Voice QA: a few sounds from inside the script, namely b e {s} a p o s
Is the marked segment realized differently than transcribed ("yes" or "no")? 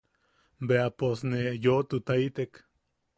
yes